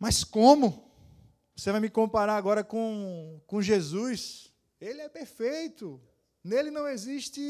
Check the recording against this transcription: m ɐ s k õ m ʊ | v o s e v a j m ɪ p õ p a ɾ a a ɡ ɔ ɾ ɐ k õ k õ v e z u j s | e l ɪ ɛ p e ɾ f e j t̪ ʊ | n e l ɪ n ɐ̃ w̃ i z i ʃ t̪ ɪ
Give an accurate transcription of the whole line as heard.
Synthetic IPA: m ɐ s k õ m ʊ | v o s e v a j m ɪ k õ p a ɾ a a ɡ ɔ ɾ ɐ k õ k õ ʒ e z u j s | e l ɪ ɛ p e ɾ f e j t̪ ʊ | n e l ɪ n ɐ̃ w̃ e z i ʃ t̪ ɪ